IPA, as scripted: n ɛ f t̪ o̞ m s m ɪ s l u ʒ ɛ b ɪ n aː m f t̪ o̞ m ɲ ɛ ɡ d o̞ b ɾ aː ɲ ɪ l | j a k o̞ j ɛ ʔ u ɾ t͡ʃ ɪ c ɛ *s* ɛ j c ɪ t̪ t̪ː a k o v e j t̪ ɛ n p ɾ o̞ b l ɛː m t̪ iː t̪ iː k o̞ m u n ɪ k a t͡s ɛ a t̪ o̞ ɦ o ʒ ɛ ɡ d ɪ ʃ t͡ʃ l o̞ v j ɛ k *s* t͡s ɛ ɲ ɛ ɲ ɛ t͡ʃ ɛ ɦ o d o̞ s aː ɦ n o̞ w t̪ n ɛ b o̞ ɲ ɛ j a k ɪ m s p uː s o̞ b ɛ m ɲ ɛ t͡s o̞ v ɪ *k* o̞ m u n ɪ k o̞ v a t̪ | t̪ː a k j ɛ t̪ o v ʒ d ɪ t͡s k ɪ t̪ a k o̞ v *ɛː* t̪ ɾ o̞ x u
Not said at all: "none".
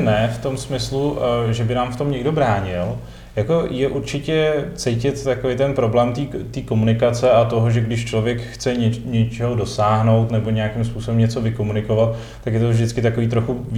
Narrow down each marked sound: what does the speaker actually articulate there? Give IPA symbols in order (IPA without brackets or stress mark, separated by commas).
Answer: t͡s, x, k, iː